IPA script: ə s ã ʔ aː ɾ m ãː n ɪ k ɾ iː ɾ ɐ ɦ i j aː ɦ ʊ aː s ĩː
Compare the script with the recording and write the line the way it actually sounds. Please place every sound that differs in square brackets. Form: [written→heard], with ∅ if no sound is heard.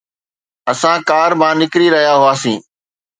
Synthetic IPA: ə s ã [ʔ→k] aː ɾ m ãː n ɪ k ɾ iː ɾ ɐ ɦ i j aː ɦ ʊ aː s ĩː